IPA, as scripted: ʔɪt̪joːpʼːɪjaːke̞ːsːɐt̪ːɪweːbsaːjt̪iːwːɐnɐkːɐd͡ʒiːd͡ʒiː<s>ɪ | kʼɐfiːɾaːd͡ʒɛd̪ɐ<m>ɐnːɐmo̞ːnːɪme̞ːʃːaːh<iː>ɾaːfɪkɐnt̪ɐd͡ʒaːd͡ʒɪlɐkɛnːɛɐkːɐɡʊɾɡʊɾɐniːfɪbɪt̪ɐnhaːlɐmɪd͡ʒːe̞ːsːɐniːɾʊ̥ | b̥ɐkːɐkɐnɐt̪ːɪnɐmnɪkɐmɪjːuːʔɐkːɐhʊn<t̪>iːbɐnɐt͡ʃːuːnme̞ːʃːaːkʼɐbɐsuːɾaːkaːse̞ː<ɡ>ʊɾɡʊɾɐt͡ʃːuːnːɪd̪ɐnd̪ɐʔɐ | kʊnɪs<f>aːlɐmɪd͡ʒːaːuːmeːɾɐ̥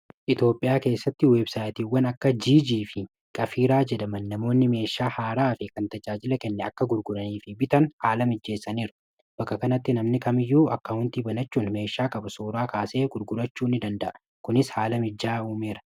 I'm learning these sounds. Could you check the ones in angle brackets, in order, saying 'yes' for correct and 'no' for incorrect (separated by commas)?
no, yes, no, yes, yes, no